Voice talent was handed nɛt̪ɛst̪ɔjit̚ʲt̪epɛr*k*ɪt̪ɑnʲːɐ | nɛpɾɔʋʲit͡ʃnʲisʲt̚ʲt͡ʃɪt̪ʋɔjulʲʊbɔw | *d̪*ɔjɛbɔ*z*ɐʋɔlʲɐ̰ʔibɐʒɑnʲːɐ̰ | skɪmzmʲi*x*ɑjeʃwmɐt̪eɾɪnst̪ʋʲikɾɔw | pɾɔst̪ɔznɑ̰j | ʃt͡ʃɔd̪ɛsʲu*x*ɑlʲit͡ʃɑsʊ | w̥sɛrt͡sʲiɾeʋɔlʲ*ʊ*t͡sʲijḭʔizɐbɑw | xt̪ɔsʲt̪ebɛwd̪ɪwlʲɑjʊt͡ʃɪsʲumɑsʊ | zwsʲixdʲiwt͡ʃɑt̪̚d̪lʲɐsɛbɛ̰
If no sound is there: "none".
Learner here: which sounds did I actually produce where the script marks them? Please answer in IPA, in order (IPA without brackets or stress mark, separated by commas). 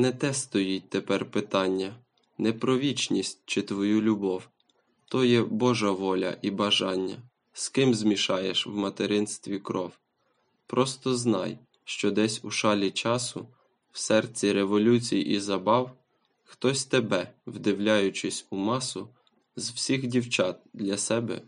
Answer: p, t̪, ʒ, ʃ, ʃ, u